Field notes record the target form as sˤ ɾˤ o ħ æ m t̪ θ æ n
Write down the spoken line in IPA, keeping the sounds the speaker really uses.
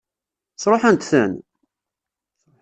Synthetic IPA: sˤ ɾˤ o ħ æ n t̪ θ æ n